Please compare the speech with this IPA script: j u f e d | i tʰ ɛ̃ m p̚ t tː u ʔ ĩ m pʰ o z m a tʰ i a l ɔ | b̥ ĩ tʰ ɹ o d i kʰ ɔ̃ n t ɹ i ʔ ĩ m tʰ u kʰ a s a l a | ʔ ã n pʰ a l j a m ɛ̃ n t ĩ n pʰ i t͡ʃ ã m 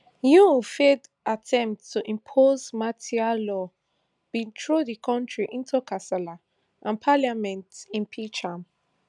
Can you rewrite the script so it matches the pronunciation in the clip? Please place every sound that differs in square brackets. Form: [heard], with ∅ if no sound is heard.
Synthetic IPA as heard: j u f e d | [a] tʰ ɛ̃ m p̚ t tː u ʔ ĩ m pʰ o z m a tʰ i a l ɔ | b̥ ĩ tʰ ɹ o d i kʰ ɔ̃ n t ɹ i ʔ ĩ [n] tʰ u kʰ a s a l a | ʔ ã n pʰ a l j a m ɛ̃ n t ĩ n pʰ i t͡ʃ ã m